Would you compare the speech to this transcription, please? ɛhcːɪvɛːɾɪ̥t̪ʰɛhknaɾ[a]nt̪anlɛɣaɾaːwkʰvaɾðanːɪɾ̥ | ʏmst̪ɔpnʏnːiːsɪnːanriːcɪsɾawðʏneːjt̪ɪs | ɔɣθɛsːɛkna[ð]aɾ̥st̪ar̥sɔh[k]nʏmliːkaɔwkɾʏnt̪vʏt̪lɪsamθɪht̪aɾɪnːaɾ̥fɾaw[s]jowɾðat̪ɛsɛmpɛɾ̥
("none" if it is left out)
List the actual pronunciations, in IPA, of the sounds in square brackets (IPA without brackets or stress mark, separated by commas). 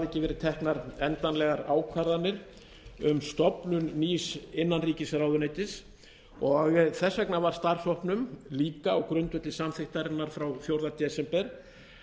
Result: ɛ, v, p, θ